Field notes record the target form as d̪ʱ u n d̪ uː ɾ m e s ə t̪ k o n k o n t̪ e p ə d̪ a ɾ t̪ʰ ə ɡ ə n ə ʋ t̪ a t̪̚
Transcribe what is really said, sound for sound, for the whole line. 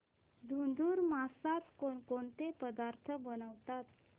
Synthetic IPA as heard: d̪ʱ u n d̪ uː ɾ m a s a t̪ k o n k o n t̪ e p ə d̪ a ɾ t̪ʰ ə b ə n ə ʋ t̪ a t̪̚

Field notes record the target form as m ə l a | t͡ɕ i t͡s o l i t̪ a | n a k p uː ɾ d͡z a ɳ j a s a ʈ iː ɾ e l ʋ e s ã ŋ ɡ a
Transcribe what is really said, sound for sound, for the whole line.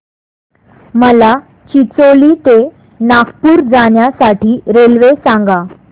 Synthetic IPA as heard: m ə l a | t͡ɕ i t͡s o l i t̪ e | n a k p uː ɾ d͡z a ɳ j a s a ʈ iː ɾ e l ʋ e s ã ŋ ɡ a

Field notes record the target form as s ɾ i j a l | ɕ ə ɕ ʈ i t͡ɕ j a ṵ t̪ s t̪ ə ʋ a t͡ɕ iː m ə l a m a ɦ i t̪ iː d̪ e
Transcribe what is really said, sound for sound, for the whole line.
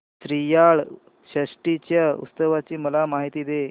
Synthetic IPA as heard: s ɾ i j a ɭ | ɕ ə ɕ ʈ i t͡ɕ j a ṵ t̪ s t̪ ə ʋ a t͡ɕ iː m ə l a m a ɦ i t̪ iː d̪ e

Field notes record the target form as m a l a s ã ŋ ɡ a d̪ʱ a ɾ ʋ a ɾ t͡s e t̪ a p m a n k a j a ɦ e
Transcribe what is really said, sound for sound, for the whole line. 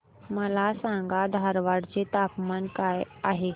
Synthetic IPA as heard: m ə l a s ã ŋ ɡ a d̪ʱ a ɾ ʋ a ɽ t͡s e t̪ a p m a n k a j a ɦ e

